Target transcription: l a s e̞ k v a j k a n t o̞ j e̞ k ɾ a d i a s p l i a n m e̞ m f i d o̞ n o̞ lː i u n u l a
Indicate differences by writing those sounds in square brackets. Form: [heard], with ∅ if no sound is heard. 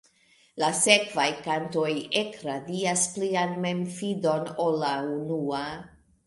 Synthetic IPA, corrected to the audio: l a s e̞ k v a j k a n t o̞ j e̞ k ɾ a d i a s p l i a n m e̞ m f i d o̞ n o̞ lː [a] u n u [∅] a